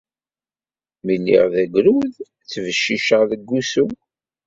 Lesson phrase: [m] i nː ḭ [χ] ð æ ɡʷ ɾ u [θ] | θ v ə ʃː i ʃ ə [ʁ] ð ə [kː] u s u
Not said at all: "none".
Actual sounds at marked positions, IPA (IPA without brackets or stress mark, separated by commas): m, ʁ, ð, ʁ, ɡː